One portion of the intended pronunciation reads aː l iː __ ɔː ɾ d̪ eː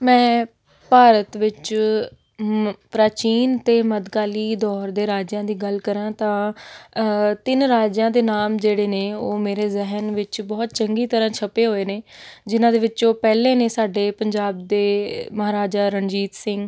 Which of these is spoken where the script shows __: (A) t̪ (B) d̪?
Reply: B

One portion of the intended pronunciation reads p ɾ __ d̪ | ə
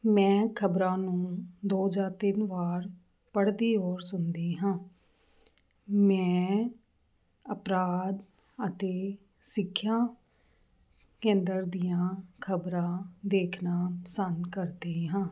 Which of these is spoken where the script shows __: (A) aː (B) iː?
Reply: A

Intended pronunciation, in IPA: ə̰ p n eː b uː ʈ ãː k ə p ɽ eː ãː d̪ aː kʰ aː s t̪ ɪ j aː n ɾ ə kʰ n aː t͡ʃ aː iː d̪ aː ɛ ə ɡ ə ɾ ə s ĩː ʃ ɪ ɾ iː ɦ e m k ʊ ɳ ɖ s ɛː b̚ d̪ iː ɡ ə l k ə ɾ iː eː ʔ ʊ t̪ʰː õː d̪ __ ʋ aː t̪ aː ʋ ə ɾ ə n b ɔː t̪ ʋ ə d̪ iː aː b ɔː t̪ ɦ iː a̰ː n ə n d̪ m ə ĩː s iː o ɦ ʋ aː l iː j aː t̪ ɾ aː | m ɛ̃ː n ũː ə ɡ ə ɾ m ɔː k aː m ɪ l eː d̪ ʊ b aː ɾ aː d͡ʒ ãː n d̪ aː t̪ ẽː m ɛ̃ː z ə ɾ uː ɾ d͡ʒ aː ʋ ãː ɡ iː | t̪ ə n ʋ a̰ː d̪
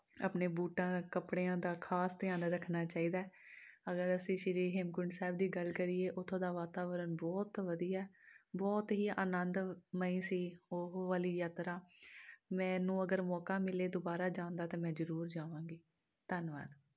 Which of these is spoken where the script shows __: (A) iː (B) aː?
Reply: B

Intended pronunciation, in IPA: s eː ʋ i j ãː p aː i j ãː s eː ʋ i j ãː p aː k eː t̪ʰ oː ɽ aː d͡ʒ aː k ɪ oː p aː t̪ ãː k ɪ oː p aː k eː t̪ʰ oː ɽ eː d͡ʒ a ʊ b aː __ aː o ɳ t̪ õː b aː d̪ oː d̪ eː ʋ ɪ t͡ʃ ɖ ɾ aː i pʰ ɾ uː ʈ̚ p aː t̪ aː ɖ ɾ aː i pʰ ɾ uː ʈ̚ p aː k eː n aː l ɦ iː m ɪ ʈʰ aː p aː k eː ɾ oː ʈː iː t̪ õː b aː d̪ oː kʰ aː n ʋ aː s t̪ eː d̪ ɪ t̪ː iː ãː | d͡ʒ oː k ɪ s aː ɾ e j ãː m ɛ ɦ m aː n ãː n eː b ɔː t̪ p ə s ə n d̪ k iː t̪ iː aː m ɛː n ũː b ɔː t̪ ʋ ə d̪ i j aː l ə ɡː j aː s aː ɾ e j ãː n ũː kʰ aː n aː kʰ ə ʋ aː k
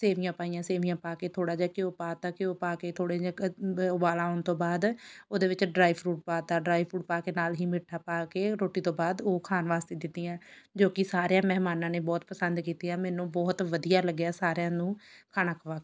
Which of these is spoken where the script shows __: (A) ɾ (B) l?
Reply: B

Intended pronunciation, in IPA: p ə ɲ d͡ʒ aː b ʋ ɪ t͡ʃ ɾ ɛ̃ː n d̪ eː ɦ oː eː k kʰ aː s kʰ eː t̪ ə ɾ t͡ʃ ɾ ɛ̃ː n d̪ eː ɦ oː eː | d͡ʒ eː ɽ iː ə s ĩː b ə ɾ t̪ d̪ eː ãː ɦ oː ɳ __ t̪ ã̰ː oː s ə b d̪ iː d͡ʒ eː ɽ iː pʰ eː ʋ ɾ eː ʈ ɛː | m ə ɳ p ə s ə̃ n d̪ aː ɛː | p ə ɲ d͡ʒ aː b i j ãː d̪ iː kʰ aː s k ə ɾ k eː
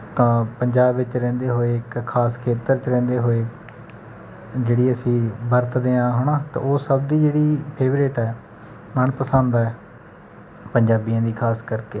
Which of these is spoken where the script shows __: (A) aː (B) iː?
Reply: A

